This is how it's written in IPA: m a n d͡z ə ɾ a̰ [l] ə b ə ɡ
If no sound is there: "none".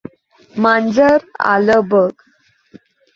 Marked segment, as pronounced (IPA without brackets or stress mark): l